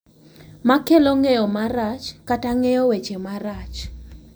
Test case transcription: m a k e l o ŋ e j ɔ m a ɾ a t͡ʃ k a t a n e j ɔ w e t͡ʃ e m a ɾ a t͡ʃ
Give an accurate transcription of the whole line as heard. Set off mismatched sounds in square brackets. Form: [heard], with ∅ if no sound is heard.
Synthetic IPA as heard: m a k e l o ŋ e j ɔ m a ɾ a t͡ʃ k a t a [ŋ] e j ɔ w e t͡ʃ e m a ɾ a t͡ʃ